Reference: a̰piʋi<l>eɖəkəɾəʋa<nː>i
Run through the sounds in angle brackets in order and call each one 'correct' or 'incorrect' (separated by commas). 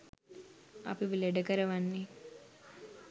correct, correct